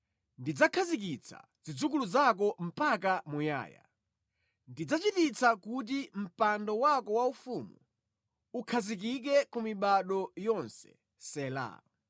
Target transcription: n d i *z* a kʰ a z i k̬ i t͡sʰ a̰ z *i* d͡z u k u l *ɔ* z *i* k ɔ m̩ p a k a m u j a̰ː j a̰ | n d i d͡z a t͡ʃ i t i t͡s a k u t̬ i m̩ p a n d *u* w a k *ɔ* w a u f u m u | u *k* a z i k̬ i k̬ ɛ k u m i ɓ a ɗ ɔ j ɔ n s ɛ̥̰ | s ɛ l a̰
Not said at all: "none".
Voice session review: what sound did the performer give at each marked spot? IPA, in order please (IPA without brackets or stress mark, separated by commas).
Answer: d͡z, i, u, a, ɔ, ɔ, kʰ